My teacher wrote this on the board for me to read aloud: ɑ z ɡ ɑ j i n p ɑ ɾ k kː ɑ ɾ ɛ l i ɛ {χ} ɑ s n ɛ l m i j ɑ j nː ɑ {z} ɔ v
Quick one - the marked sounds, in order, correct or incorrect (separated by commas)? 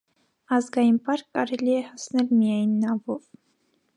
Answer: incorrect, incorrect